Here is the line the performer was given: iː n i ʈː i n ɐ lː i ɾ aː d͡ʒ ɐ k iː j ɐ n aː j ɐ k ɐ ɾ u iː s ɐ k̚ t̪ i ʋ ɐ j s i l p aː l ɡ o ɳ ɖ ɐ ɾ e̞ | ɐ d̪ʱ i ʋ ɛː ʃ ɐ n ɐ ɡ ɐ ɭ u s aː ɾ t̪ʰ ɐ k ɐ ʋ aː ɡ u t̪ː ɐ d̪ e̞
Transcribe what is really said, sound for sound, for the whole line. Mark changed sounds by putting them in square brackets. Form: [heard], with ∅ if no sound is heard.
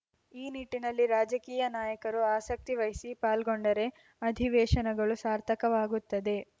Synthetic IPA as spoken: iː n i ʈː i n ɐ lː i ɾ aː d͡ʒ ɐ k iː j ɐ n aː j ɐ k ɐ ɾ u [aː] s ɐ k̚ t̪ i ʋ ɐ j s i [∅] p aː l ɡ o ɳ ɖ ɐ ɾ e̞ | ɐ d̪ʱ i ʋ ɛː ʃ ɐ n ɐ ɡ ɐ ɭ u s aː ɾ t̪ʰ ɐ k ɐ ʋ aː ɡ u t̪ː ɐ d̪ e̞